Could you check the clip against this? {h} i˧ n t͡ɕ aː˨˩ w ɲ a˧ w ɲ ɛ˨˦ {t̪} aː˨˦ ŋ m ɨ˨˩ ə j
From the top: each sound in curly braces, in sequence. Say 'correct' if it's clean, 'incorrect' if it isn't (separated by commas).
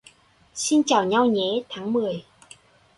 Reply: incorrect, incorrect